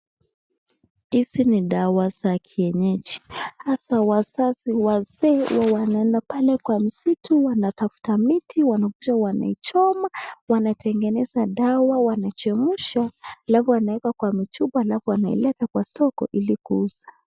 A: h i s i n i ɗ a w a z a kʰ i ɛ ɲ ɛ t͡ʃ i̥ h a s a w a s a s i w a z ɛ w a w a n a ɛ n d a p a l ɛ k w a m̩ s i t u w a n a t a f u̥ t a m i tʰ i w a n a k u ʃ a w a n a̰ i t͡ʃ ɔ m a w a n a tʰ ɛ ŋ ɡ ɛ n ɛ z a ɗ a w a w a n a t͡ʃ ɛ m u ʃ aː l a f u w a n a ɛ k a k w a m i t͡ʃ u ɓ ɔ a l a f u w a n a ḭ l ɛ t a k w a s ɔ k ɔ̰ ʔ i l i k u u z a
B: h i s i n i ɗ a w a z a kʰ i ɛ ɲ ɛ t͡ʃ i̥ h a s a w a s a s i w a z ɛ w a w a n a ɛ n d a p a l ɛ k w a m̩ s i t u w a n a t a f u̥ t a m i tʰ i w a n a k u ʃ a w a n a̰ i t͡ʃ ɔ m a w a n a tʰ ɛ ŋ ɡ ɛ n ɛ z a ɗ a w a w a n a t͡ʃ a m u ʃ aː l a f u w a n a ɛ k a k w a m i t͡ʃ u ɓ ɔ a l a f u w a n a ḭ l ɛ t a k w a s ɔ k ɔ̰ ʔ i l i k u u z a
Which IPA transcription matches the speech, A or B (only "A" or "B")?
A